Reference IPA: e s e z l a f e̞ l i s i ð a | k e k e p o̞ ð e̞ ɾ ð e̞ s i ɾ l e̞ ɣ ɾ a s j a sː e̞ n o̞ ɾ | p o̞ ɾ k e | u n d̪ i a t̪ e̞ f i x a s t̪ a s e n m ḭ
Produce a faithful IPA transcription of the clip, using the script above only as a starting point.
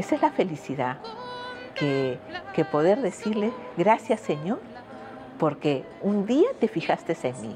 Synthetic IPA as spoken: e s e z l a f e̞ l i s i ð a | k e k e p o̞ ð e̞ ɾ ð e̞ s i ɾ l e̞ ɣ ɾ a s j a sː e̞ ɲ o̞ ɾ | p o̞ ɾ k e | u n d̪ i a t̪ e̞ f i x a s t̪ e s e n m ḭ